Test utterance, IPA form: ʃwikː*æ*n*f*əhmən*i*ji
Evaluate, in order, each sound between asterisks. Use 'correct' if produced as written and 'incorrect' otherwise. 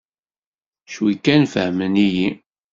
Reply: correct, correct, correct

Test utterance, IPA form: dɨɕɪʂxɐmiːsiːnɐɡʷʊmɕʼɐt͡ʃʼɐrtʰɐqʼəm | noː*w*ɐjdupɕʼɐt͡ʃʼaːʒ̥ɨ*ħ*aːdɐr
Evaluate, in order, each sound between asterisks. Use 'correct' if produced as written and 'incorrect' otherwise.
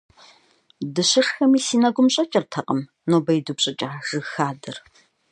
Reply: incorrect: b, incorrect: x

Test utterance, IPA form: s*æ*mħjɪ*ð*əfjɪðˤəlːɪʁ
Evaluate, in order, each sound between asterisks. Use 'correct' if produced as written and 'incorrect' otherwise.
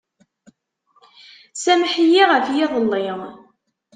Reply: correct, incorrect: ʁ

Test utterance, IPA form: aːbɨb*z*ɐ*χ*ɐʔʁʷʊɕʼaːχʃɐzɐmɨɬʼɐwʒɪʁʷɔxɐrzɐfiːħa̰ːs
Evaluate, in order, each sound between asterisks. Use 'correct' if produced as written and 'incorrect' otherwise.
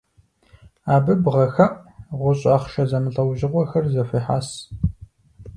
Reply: incorrect: ʁ, incorrect: x

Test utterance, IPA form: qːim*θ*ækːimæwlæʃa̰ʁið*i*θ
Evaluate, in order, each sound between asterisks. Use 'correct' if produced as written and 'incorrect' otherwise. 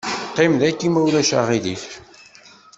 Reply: incorrect: ð, correct

